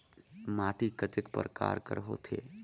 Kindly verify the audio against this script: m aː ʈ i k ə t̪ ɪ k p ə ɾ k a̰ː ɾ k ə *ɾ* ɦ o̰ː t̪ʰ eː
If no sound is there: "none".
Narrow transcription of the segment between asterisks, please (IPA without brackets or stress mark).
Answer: ɾ